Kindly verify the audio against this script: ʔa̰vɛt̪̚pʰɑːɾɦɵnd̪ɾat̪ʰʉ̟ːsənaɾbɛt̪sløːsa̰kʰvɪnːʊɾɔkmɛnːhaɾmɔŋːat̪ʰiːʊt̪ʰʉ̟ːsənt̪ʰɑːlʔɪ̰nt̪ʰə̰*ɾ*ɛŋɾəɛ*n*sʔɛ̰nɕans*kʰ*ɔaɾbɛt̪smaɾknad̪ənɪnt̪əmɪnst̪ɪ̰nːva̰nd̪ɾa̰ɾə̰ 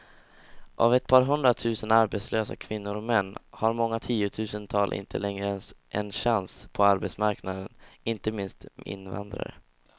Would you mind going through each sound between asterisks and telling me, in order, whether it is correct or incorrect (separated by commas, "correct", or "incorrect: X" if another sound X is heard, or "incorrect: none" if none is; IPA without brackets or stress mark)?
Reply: incorrect: l, correct, incorrect: pʰ